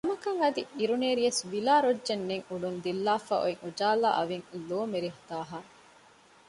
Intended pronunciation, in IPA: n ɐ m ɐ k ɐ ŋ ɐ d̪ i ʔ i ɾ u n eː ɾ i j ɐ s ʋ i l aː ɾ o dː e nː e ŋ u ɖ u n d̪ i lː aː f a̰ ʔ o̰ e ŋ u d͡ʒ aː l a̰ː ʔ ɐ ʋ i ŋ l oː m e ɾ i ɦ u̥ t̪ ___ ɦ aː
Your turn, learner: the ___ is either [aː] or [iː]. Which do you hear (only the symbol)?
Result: aː